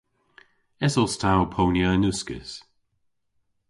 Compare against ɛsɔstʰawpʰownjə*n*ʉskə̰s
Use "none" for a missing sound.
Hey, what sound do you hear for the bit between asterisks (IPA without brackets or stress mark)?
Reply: n